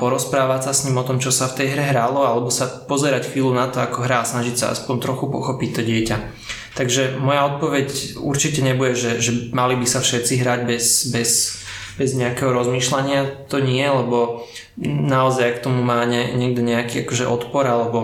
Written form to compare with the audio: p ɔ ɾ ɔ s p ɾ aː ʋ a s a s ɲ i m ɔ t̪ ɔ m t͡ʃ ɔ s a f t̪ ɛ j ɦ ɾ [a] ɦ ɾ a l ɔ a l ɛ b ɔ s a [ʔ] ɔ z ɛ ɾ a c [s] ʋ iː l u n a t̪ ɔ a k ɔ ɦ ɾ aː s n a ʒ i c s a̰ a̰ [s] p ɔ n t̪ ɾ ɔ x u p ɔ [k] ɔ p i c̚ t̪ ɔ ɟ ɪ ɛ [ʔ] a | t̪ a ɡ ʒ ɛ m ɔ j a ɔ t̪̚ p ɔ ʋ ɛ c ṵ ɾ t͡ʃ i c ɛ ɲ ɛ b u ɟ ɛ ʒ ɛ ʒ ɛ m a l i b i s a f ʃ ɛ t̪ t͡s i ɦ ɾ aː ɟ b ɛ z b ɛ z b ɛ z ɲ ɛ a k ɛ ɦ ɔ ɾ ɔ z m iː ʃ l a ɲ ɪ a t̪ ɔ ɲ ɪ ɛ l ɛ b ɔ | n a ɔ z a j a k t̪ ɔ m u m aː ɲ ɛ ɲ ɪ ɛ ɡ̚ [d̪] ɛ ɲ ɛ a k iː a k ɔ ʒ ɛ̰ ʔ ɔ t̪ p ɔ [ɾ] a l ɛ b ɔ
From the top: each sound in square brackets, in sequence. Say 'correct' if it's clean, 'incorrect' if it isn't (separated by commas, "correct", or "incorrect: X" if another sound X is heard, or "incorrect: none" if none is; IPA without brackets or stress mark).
incorrect: ɛ, incorrect: p, incorrect: x, correct, incorrect: x, incorrect: c, correct, correct